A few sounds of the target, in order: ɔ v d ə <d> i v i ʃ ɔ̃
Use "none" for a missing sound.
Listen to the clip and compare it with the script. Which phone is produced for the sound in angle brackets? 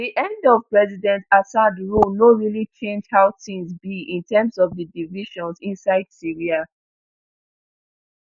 d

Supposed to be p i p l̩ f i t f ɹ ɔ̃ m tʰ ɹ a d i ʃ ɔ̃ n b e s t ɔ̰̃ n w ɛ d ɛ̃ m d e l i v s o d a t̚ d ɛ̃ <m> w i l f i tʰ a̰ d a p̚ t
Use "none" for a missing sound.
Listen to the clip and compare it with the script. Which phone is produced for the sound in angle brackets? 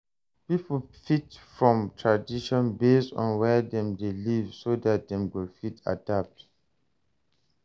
m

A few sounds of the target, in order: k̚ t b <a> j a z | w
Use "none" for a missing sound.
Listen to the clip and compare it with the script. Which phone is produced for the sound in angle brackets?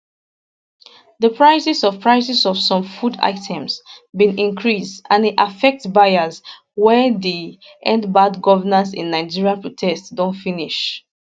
a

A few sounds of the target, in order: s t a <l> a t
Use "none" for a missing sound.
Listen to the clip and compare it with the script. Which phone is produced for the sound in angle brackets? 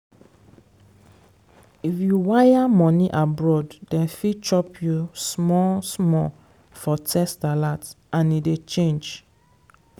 l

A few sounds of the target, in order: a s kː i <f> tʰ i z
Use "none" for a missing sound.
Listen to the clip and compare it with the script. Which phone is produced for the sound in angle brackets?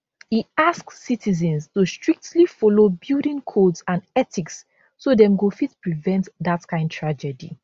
none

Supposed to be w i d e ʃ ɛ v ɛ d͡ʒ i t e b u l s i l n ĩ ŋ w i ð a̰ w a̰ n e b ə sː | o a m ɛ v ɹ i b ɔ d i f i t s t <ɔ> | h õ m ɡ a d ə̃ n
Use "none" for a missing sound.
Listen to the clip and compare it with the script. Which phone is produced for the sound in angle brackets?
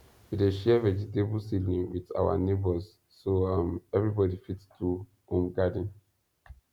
u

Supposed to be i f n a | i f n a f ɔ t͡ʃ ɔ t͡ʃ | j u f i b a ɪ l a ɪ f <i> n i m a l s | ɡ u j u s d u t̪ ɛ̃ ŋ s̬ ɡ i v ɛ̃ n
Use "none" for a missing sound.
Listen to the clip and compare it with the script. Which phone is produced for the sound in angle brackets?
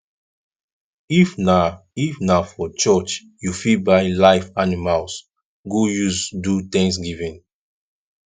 a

